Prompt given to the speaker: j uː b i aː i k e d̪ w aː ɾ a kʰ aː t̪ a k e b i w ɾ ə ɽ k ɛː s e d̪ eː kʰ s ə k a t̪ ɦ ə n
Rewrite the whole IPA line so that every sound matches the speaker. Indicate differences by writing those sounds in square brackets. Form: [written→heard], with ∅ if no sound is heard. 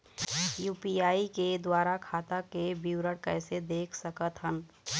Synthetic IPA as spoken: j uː [b→p] i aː i k e d̪ w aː ɾ a kʰ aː t̪ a k e b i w ɾ ə ɽ k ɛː s e d̪ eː kʰ s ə k [a→ə] t̪ ɦ ə n

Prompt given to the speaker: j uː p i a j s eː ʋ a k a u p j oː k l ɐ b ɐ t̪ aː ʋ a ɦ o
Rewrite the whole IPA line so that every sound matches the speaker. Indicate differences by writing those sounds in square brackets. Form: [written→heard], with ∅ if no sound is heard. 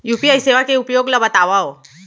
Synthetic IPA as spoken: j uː p i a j s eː ʋ a k [a→e] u p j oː [k→ɡ] l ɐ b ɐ t̪ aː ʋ a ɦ o

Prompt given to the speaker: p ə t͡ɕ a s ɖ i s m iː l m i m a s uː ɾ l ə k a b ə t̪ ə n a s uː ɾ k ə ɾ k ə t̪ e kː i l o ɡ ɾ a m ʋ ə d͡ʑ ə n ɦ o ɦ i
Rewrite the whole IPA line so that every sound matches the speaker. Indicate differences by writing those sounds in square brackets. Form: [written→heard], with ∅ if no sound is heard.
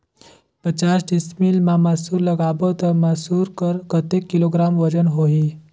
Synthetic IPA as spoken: p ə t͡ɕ a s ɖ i s m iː l m [i→a] m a s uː ɾ l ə [k→ɡ] a b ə t̪ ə [n→m] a s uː ɾ k ə ɾ k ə t̪ e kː i l o ɡ ɾ a m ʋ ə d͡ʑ ə n ɦ o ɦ i

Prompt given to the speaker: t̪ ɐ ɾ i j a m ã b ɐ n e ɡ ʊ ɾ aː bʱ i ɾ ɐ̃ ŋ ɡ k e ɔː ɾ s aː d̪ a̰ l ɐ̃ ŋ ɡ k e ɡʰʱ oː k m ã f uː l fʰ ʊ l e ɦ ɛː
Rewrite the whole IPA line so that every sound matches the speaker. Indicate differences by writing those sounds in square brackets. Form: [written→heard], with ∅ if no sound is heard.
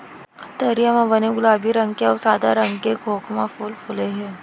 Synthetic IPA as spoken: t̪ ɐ ɾ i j a m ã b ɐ n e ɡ ʊ [ɾ→l] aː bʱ i ɾ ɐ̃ ŋ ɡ k e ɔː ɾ s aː d̪ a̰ [l→ɾ] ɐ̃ ŋ ɡ k e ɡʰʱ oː k m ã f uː l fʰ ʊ l e ɦ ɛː

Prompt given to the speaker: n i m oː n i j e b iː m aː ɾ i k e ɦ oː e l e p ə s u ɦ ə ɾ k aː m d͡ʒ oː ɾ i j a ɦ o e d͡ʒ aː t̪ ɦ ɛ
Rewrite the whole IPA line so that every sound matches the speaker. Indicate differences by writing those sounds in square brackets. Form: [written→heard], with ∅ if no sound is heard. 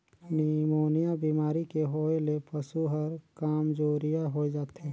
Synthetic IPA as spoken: n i m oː n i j [e→a] b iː m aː ɾ i k e ɦ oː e l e p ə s u ɦ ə ɾ k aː m d͡ʒ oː ɾ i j a ɦ o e d͡ʒ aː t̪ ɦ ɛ

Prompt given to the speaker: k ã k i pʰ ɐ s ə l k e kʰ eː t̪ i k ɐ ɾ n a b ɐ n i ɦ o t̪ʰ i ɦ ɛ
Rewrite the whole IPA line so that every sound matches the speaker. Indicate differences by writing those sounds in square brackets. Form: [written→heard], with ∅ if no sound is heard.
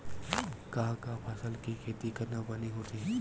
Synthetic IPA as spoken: k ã k [i→a] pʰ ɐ s ə l k [e→i] kʰ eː t̪ i k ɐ ɾ n a b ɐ n i ɦ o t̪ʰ i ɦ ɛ

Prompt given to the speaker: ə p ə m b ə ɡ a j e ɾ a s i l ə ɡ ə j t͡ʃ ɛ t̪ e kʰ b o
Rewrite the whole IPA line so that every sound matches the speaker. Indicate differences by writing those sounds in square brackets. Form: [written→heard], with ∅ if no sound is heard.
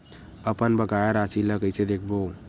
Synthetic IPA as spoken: ə p ə [m→n] b ə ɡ a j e ɾ a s i l ə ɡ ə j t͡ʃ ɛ [t̪→d̪] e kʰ b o

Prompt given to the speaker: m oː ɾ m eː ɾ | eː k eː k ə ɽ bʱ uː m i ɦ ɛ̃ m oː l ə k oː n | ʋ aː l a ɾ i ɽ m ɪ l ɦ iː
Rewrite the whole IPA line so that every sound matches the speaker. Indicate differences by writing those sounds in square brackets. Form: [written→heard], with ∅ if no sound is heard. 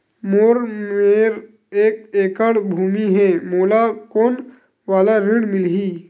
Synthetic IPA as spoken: m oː ɾ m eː ɾ | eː k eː k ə ɽ bʱ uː m i ɦ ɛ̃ m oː l [ə→a] k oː n | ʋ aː l a ɾ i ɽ m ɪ l ɦ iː

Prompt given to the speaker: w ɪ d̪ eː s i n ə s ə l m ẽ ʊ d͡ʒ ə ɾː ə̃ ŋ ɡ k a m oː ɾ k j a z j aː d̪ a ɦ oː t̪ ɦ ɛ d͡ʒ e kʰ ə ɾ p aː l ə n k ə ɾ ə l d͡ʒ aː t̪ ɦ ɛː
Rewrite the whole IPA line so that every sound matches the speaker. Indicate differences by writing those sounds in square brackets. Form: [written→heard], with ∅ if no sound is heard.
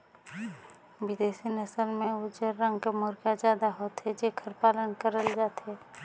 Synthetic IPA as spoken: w ɪ d̪ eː s i n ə s ə l m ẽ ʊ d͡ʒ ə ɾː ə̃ ŋ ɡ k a m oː ɾ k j a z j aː d̪ a ɦ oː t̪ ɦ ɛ d͡ʒ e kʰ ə ɾ p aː l ə n k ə ɾ ə l d͡ʒ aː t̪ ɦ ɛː

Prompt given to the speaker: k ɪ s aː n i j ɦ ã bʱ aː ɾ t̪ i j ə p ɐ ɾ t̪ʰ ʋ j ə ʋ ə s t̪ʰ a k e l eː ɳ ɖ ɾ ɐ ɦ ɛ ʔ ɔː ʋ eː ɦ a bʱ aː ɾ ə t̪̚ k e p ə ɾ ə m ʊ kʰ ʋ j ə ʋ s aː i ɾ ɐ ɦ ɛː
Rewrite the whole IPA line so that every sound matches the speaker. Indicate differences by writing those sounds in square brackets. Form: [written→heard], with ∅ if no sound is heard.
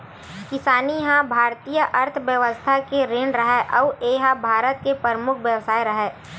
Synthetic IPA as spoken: k ɪ s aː n i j ɦ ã bʱ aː ɾ t̪ i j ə [p→ʔ] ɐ ɾ t̪ʰ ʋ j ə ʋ ə s t̪ʰ a k e [l→ɾ] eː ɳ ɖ ɾ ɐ ɦ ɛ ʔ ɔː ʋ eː ɦ a bʱ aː ɾ ə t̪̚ k e p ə ɾ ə m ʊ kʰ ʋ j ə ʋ s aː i ɾ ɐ ɦ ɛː

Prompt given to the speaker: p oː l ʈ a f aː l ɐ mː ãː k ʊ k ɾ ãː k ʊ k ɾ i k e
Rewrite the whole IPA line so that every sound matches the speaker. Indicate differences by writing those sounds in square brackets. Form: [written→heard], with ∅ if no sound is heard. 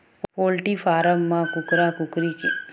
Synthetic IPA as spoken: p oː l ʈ [a→i] f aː [l→ɾ] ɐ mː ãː k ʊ k ɾ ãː k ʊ k ɾ i k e

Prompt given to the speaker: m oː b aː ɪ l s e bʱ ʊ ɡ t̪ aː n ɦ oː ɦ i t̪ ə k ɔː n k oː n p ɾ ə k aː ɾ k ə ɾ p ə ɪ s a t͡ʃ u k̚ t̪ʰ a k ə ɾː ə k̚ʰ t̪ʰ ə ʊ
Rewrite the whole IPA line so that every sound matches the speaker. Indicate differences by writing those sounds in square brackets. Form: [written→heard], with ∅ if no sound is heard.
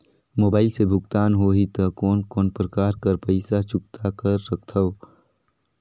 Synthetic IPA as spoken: m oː b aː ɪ l s e bʱ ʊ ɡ t̪ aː n ɦ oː ɦ i t̪ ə k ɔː n k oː n p ɾ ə k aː ɾ k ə ɾ p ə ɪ s a t͡ʃ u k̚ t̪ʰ a k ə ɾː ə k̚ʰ t̪ʰ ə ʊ

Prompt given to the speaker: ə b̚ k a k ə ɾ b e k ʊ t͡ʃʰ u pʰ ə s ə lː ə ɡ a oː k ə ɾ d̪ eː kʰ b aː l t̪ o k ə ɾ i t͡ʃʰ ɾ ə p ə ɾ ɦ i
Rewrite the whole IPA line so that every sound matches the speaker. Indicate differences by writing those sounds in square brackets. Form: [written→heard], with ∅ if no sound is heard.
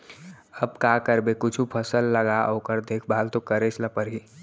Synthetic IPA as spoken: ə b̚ k a k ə ɾ b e k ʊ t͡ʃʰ u pʰ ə s ə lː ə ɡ a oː k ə ɾ d̪ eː kʰ b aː l t̪ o k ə ɾ [i→e] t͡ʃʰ [ɾ→l] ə p ə ɾ ɦ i

